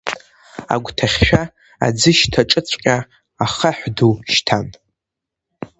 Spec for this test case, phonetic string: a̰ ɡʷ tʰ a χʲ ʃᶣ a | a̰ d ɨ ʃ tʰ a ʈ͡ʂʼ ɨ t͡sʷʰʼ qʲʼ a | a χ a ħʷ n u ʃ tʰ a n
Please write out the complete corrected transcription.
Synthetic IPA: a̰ ɡʷ tʰ a χʲ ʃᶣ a | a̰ d͡z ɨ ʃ tʰ a ʈ͡ʂʼ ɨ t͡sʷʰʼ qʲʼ a | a χ a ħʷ d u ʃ tʰ a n